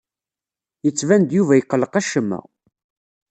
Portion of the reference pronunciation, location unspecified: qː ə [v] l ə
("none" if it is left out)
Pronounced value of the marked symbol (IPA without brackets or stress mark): none